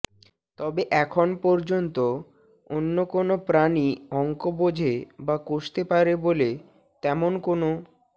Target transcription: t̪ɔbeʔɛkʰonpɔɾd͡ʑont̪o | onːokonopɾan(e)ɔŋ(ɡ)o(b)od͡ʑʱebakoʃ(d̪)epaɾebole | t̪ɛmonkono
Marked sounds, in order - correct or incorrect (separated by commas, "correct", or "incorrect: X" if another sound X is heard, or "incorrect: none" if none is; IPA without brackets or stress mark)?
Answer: incorrect: i, incorrect: k, correct, incorrect: t̪